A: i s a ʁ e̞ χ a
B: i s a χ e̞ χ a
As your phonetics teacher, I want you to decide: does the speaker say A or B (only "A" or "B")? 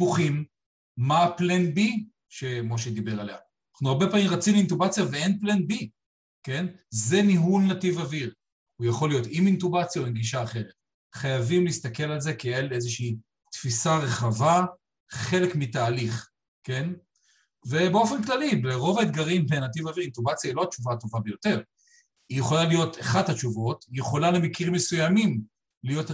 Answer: A